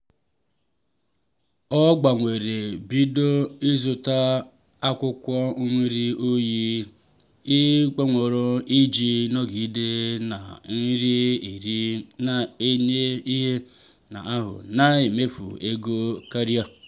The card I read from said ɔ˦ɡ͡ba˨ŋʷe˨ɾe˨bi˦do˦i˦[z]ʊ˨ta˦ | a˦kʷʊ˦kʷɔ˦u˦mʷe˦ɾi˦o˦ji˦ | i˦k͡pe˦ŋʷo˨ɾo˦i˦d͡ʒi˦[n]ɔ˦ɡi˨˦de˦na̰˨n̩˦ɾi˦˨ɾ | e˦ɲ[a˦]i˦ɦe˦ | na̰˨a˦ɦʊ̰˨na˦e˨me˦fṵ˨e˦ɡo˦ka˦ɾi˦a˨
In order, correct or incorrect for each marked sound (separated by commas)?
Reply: correct, correct, incorrect